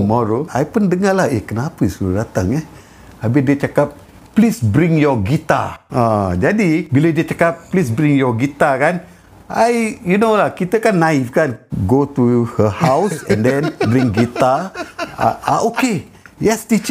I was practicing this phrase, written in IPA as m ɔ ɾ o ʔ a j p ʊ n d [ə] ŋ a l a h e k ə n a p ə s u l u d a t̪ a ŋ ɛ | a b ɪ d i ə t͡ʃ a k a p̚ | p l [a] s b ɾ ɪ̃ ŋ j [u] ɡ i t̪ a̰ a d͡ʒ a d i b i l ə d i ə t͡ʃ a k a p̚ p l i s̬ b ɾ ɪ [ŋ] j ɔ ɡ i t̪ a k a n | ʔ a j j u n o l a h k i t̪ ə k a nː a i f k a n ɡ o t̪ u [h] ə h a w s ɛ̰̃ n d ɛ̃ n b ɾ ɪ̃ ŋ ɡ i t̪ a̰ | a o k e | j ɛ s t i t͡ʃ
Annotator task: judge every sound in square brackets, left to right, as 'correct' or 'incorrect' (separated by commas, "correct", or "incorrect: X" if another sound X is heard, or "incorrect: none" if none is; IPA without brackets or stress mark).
correct, incorrect: i, incorrect: ɔ, correct, correct